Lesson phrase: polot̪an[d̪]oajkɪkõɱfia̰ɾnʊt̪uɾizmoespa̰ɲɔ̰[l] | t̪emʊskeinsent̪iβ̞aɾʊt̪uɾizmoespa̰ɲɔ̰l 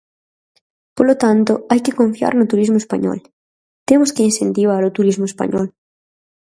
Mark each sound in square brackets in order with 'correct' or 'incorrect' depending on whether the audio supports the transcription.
incorrect: t̪, correct

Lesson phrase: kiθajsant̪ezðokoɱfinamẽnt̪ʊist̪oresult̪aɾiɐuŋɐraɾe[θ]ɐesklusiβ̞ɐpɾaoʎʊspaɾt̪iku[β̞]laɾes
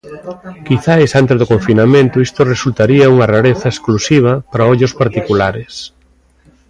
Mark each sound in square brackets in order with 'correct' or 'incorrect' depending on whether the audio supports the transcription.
correct, incorrect: none

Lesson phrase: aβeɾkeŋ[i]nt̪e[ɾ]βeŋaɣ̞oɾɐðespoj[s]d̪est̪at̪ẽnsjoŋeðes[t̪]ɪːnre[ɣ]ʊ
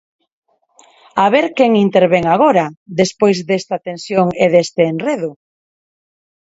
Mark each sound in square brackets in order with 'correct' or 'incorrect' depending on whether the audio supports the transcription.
correct, correct, incorrect: z, correct, incorrect: ð

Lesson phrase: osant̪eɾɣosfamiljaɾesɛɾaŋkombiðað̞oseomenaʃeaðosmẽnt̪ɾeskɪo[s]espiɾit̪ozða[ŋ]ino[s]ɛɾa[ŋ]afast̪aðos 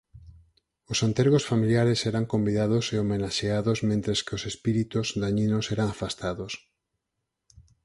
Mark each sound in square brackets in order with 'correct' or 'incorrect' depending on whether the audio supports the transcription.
correct, incorrect: ɲ, correct, correct

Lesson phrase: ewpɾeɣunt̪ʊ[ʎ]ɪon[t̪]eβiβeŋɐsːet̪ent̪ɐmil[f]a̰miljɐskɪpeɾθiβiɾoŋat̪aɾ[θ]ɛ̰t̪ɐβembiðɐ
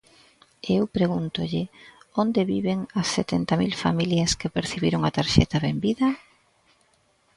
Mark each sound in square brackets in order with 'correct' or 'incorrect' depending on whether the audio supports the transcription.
correct, incorrect: d̪, correct, incorrect: ʃ

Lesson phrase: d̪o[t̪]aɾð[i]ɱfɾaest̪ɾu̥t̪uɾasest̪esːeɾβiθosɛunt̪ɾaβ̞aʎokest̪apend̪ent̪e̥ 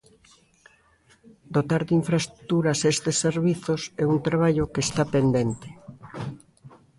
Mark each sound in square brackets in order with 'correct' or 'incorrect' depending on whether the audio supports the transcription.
correct, correct

